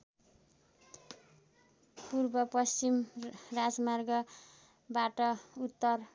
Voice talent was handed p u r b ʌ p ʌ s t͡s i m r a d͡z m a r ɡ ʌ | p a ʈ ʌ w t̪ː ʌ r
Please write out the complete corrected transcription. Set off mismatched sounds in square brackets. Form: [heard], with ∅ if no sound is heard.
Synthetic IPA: p u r b ʌ p ʌ s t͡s i m r a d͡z m a r ɡ ʌ | [b] a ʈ ʌ [u] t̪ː ʌ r

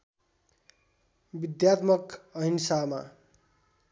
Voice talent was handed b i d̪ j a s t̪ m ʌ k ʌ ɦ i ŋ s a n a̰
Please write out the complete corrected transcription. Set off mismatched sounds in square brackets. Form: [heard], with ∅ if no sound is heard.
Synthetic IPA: b i d̪ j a [∅] t̪ m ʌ k ʌ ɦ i [n] s a [m] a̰

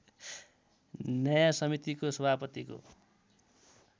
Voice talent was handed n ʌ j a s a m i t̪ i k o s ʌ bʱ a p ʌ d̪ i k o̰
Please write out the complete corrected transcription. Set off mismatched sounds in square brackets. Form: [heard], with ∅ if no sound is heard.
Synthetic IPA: n ʌ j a s [ʌ] m i t̪ i k o s ʌ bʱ a p ʌ [t̪] i k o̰

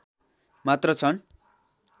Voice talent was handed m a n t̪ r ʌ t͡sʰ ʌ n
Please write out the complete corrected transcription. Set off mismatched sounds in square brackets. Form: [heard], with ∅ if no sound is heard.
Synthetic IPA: m a [∅] t̪ r ʌ t͡sʰ ʌ n

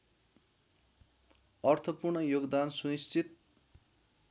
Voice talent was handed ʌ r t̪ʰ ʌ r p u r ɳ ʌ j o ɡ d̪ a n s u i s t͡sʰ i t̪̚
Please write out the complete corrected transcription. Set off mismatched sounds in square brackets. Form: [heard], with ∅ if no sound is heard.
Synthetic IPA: ʌ r t̪ʰ ʌ [∅] p u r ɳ ʌ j o ɡ d̪ a n s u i s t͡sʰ i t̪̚

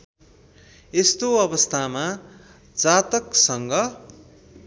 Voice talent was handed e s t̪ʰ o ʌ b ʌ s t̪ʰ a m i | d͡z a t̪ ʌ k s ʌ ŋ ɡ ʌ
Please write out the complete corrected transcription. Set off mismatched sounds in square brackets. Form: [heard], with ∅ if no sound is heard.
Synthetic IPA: e s [t̪] o ʌ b ʌ s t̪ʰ a m [a] | d͡z a t̪ ʌ k s ʌ ŋ ɡ ʌ

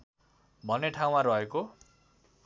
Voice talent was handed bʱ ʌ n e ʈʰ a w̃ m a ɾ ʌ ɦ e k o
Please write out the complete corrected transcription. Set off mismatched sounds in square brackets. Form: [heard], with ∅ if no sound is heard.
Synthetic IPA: bʱ ʌ n e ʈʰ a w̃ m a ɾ ʌ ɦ e k o

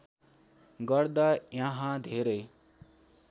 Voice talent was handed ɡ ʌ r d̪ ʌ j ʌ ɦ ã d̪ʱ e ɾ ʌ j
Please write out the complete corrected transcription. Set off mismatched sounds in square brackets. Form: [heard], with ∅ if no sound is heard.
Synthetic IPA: ɡ ʌ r d̪ [a] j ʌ ɦ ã d̪ʱ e ɾ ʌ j

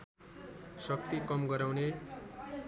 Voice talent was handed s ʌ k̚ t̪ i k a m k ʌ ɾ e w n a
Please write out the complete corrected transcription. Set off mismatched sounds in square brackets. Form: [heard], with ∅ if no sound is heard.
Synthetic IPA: s ʌ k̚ t̪ i k [ʌ] m [ɡ] ʌ ɾ [a] w n [e]

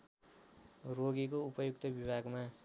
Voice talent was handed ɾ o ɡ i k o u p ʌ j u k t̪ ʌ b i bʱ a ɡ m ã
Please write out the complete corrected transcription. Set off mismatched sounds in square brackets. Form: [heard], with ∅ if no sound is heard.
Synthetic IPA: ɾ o ɡ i k o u p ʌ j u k t̪ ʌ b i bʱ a ɡ m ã

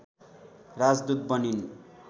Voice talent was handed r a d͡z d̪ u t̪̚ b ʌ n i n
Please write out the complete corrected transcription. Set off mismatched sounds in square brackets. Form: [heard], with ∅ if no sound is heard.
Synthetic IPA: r a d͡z d̪ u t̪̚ b ʌ n i n

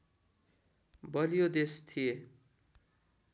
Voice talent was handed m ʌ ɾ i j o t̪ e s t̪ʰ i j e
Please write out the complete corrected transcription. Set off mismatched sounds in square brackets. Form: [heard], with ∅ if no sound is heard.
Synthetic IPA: [b] ʌ [l] i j o [d̪] e s t̪ʰ i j e

